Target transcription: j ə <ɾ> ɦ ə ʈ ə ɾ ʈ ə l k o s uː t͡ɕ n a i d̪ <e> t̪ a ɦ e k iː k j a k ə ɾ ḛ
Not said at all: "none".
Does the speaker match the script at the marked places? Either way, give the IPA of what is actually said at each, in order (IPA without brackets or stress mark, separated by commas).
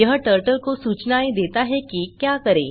none, e